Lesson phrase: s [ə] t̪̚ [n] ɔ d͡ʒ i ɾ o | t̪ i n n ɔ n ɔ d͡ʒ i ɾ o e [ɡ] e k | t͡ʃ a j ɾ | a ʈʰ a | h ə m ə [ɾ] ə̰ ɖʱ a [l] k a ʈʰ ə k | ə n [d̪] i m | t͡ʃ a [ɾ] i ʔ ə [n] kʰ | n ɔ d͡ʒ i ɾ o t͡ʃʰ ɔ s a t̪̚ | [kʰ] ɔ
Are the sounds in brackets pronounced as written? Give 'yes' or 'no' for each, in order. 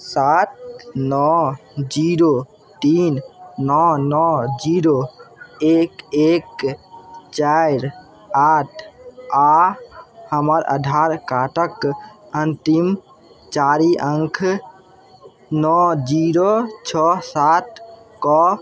no, yes, no, yes, no, no, yes, no, no

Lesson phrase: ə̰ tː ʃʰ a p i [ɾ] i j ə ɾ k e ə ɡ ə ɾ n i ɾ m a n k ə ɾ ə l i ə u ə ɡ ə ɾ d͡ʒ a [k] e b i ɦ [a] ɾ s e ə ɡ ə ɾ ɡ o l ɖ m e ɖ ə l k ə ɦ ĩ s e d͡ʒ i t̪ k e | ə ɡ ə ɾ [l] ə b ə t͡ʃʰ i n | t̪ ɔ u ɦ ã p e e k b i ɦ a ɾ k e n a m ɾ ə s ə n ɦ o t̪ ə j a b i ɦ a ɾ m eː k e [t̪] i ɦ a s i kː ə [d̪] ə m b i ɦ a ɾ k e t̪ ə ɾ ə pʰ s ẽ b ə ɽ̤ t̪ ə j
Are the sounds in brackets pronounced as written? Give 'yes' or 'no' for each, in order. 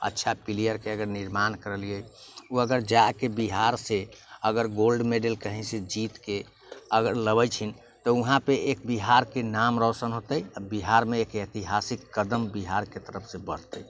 no, yes, yes, yes, yes, yes

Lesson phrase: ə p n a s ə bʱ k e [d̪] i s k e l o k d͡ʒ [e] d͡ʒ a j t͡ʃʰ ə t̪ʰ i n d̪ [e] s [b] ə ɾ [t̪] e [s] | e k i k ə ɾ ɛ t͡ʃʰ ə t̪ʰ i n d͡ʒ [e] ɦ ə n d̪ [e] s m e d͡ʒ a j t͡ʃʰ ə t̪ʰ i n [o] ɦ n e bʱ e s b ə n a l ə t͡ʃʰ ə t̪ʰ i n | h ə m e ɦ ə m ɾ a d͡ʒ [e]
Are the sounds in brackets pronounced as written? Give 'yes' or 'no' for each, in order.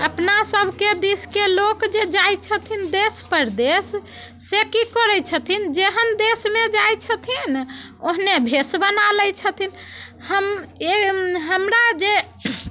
yes, yes, yes, no, no, no, yes, yes, yes, yes

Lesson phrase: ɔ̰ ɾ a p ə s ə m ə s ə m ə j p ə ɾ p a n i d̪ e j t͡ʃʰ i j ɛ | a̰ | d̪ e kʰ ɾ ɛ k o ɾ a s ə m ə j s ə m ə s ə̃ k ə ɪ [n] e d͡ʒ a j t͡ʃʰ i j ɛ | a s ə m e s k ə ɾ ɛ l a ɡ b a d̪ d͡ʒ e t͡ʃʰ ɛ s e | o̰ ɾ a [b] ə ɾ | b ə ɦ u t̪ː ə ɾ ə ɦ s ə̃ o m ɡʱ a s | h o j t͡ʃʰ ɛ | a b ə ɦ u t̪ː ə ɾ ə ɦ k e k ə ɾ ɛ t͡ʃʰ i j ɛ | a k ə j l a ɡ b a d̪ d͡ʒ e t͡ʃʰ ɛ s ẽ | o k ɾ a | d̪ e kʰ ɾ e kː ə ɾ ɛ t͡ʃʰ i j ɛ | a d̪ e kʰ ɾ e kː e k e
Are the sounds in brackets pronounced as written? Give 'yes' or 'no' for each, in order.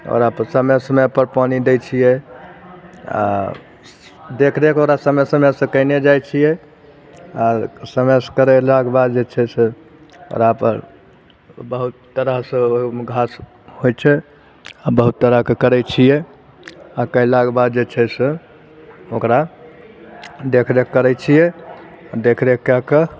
yes, no

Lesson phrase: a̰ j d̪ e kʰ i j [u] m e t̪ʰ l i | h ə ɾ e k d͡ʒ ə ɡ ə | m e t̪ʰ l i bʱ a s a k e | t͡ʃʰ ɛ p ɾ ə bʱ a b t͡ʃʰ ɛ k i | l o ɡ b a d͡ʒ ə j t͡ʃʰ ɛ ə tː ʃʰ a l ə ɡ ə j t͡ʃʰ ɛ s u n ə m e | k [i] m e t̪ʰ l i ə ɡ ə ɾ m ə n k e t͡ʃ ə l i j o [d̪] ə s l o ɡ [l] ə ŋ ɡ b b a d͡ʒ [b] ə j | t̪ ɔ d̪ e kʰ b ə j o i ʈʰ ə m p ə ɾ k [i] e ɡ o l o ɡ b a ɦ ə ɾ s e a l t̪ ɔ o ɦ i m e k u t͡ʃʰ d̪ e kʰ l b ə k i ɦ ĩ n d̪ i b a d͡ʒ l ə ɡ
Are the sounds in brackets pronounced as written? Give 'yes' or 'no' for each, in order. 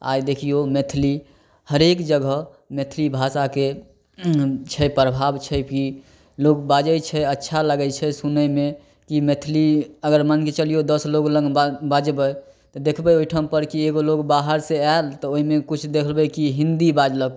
no, yes, yes, yes, yes, yes

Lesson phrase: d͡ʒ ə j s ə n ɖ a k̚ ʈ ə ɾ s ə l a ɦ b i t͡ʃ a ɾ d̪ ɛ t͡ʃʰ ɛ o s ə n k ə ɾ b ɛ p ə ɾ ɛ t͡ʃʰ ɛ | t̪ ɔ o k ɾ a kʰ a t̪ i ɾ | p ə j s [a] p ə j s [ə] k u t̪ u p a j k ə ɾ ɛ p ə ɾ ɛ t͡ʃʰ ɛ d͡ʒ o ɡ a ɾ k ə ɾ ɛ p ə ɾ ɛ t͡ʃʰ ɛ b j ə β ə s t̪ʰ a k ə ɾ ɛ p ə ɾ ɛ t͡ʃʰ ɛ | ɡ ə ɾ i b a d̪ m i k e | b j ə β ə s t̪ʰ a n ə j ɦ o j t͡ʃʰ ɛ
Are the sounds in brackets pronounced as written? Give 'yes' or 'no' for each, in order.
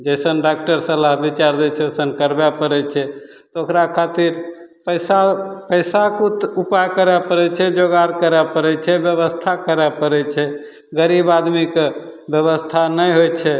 yes, no

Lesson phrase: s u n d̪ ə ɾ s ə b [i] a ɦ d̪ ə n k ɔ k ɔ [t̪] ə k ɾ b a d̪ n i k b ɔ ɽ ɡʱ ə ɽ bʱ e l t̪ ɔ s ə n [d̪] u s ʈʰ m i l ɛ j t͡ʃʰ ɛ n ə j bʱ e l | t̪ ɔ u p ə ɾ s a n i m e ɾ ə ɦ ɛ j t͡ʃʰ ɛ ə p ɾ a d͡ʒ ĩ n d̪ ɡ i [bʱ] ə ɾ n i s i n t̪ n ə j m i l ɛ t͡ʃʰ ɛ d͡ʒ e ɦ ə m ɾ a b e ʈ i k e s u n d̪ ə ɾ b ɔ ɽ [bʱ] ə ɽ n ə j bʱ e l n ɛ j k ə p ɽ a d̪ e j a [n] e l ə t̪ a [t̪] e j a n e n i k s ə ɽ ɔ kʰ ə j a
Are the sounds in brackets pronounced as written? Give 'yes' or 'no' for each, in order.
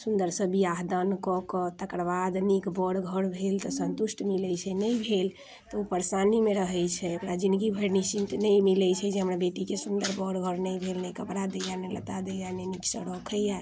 yes, yes, no, yes, no, yes, no

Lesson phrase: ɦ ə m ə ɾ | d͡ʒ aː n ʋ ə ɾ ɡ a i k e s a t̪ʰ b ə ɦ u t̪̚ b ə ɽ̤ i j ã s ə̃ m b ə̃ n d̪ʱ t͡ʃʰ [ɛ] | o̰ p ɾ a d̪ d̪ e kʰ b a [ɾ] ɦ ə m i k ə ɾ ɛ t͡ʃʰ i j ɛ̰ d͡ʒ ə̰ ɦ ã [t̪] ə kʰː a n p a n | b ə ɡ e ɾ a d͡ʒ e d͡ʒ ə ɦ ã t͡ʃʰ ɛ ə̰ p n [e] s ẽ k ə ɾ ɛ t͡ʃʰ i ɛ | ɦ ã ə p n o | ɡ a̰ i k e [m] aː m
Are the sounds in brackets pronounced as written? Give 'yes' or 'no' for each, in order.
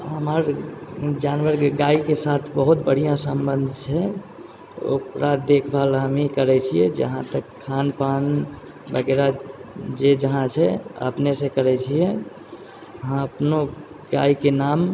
yes, no, yes, yes, no

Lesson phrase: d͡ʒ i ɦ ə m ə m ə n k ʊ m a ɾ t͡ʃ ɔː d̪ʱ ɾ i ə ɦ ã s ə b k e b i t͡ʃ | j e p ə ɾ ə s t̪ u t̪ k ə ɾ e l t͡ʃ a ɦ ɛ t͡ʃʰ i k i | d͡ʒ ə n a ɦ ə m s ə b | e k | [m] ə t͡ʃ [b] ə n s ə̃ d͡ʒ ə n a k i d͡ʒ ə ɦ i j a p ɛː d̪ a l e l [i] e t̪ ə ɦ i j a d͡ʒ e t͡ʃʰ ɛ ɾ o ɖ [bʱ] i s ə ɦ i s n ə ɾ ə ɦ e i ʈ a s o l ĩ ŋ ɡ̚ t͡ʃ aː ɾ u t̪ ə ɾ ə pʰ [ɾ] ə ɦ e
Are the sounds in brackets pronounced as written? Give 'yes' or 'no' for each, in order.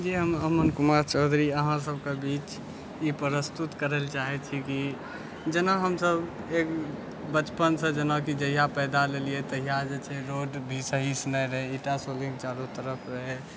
no, no, yes, yes, yes

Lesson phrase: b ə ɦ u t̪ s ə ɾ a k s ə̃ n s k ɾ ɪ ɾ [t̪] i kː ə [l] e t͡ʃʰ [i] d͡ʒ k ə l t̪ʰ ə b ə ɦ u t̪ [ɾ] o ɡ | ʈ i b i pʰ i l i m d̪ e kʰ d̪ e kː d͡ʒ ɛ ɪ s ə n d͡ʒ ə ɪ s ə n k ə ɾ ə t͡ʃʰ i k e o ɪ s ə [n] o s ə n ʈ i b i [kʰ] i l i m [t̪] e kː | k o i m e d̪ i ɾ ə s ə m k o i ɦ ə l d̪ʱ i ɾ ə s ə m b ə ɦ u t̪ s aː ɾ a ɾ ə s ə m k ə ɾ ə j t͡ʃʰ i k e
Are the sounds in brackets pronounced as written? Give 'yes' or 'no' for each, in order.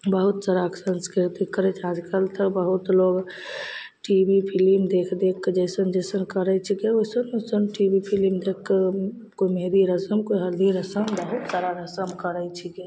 yes, no, no, no, yes, no, no

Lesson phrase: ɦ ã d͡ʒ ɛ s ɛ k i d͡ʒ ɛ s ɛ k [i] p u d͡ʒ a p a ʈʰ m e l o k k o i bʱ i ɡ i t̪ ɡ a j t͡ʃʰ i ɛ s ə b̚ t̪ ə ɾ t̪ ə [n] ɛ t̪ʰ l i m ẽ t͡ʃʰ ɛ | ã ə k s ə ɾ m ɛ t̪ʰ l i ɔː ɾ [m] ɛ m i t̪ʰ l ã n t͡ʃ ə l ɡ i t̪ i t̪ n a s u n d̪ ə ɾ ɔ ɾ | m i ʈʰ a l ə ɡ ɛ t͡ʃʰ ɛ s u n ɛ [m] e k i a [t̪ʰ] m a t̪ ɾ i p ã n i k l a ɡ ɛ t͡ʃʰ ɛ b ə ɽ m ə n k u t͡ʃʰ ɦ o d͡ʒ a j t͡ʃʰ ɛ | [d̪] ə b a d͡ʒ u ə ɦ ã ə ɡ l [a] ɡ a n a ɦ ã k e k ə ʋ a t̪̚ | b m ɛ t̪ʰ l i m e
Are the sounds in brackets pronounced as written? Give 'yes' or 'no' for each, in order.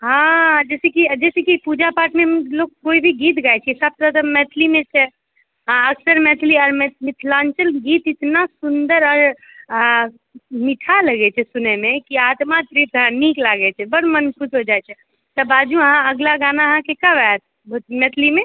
yes, no, yes, yes, no, no, yes

